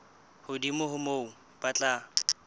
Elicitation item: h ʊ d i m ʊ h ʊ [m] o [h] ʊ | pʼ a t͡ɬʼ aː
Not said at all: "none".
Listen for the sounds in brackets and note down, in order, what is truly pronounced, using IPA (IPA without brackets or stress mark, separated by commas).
m, none